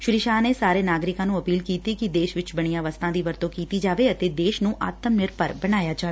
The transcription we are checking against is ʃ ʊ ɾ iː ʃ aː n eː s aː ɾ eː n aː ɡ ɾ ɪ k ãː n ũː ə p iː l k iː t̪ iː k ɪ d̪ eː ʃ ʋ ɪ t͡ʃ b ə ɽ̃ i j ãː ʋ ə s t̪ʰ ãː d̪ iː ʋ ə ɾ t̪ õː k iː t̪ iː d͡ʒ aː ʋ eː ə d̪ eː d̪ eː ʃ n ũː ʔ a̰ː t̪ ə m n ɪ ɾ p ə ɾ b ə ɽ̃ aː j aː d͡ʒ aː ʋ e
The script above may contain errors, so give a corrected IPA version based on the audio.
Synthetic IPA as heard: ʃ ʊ ɾ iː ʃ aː n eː s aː ɾ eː n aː ɡ ɾ ɪ k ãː n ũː ə p iː l k iː t̪ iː k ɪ d̪ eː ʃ ʋ ɪ t͡ʃ b ə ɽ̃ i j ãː ʋ ə s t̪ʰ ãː d̪ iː ʋ ə ɾ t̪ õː k iː t̪ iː d͡ʒ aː ʋ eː ə t̪ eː d̪ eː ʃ n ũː ʔ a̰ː t̪ ə m n ɪ ɾ p ə ɾ b ə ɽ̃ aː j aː d͡ʒ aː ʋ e